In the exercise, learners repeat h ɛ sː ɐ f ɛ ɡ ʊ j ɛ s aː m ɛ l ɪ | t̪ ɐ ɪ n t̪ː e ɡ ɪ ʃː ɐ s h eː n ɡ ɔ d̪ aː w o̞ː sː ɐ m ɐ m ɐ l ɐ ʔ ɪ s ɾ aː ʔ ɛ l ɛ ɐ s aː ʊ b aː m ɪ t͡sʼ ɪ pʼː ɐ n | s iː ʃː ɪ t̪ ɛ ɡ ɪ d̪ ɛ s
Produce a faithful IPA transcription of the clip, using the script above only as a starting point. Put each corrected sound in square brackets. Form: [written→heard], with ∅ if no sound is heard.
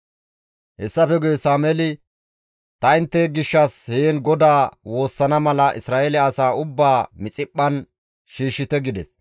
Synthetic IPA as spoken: h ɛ sː ɐ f ɛ ɡ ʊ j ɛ s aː m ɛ l ɪ | t̪ ɐ ɪ n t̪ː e ɡ ɪ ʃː ɐ s h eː n ɡ ɔ d̪ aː w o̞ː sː ɐ [m→n] ɐ m ɐ l ɐ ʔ ɪ s ɾ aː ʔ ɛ l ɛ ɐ s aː ʊ [b→bː] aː m ɪ t͡sʼ ɪ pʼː ɐ n | [s→ʃ] iː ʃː ɪ t̪ ɛ ɡ ɪ d̪ ɛ s

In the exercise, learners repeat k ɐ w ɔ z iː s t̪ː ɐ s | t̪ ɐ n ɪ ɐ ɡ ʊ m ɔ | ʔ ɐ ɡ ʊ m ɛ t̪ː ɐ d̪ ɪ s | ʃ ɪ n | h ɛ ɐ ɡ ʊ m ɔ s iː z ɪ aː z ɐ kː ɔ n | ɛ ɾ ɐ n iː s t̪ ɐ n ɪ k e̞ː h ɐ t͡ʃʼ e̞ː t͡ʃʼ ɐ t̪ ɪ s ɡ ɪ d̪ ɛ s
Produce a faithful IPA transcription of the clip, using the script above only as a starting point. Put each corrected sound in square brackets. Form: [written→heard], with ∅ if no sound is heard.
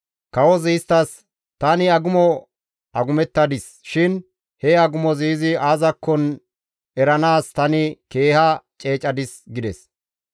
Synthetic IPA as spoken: k ɐ w ɔ z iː s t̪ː ɐ s | t̪ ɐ n ɪ ɐ ɡ ʊ m ɔ | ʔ ɐ ɡ ʊ m ɛ t̪ː ɐ d̪ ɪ s | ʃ ɪ n | h ɛ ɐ ɡ ʊ m ɔ [s→z] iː z ɪ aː z ɐ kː ɔ n | ɛ ɾ ɐ n [iː→aː] s t̪ ɐ n ɪ k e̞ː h ɐ t͡ʃʼ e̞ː t͡ʃʼ ɐ [t̪→d̪] ɪ s ɡ ɪ d̪ ɛ s

